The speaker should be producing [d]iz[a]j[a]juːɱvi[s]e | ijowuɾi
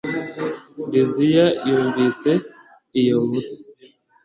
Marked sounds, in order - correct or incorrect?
correct, incorrect: i, correct, correct

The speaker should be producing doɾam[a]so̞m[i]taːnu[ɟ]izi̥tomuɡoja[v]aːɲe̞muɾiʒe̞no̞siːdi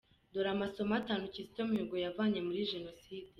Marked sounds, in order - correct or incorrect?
correct, incorrect: a, incorrect: c, correct

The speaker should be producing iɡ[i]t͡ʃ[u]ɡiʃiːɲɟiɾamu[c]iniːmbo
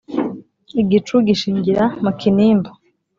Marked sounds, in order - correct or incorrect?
correct, correct, incorrect: k

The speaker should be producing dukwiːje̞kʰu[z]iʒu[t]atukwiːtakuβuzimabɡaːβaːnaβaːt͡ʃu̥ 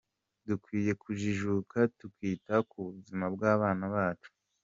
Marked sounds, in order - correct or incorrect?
incorrect: ʒ, incorrect: k

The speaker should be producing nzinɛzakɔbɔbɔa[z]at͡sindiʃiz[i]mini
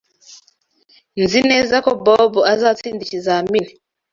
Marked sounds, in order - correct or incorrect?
correct, incorrect: a

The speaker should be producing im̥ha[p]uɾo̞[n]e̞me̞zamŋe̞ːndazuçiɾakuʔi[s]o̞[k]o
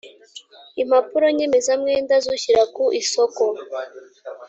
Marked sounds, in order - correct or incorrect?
correct, incorrect: ɲ, correct, correct

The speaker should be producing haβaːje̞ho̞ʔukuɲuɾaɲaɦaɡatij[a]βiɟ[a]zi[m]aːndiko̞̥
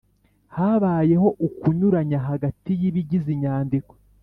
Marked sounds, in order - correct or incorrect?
incorrect: i, incorrect: i, incorrect: ɲ

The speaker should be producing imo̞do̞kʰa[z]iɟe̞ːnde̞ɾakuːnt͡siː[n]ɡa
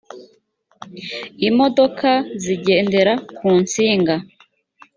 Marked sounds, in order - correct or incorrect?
correct, incorrect: ŋ

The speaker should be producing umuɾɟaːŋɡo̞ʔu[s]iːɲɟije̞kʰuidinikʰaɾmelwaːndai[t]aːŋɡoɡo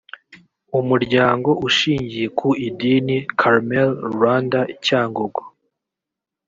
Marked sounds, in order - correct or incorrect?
incorrect: ʃ, incorrect: c

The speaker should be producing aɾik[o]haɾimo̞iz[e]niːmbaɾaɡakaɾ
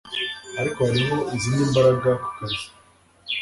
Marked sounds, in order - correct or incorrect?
correct, incorrect: i

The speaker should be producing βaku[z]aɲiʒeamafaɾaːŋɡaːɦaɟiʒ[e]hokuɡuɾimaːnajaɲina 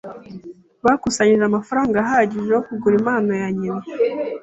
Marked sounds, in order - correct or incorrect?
incorrect: s, correct

